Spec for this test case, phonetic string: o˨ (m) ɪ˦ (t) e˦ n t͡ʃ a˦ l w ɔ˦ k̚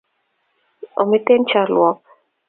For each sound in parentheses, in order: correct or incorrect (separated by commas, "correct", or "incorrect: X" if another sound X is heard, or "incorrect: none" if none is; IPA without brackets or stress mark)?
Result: correct, correct